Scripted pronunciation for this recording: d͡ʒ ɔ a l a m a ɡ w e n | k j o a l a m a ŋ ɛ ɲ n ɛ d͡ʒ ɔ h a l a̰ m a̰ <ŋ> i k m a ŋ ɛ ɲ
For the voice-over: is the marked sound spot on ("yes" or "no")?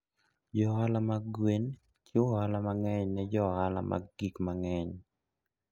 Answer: no